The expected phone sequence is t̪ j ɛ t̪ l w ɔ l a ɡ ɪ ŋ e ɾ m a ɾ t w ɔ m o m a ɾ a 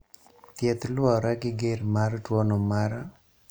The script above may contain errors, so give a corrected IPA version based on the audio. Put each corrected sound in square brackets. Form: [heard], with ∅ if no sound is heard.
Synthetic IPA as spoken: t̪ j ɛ t̪ l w ɔ [ɾ] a ɡ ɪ [ɡ] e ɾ m a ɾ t w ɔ [n] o m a ɾ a